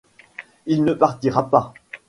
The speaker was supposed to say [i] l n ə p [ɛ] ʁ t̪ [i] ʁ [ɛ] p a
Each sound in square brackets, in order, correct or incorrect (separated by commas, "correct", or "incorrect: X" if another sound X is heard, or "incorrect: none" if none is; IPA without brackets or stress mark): correct, incorrect: a, correct, incorrect: a